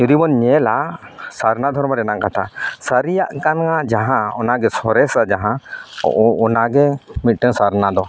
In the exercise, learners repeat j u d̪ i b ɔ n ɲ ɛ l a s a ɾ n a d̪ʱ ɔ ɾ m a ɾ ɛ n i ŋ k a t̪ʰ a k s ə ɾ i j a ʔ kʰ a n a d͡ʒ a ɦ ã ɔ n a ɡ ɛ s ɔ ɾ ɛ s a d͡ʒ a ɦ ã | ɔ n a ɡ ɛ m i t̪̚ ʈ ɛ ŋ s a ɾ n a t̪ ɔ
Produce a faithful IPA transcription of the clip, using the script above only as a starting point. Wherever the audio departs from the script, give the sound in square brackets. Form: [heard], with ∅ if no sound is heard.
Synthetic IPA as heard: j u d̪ i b ɔ n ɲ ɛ l a s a ɾ n a d̪ʱ ɔ ɾ m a ɾ ɛ n [a] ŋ k a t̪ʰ a [∅] s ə ɾ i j a ʔ [k] a n a d͡ʒ a ɦ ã ɔ n a ɡ ɛ s ɔ ɾ ɛ s a d͡ʒ a ɦ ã | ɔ n a ɡ ɛ m i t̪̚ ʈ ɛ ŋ s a ɾ n a [d̪] ɔ